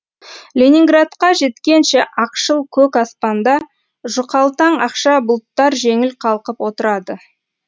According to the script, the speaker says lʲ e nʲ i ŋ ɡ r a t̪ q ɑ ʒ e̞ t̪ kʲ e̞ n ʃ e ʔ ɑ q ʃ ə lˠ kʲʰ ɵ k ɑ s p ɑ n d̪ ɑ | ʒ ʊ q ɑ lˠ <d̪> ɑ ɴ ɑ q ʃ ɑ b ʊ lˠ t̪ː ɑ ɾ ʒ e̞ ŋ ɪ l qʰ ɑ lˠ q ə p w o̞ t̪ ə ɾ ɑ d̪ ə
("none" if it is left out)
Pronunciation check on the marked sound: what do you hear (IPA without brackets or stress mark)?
t̪